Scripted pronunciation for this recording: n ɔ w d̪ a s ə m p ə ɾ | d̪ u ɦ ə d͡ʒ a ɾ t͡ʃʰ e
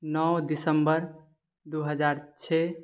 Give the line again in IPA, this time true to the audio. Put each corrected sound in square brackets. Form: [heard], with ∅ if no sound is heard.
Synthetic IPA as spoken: n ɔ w d̪ [i] s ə m [b] ə ɾ | d̪ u ɦ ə d͡ʒ a ɾ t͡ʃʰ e